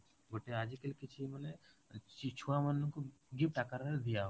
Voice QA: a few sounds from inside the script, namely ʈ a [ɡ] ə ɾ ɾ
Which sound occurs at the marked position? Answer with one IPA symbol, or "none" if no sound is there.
k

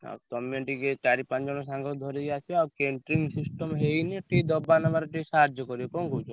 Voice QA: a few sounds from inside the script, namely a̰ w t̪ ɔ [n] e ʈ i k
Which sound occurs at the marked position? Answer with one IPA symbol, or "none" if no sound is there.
m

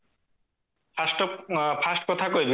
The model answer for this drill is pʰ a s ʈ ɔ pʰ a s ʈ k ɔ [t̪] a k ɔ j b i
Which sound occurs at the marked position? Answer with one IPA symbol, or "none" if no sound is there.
t̪ʰ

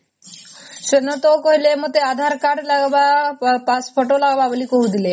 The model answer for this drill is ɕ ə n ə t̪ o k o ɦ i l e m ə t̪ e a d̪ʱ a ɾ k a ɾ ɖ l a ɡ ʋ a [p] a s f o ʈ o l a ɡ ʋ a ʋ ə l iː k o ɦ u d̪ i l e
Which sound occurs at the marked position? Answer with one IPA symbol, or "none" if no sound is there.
p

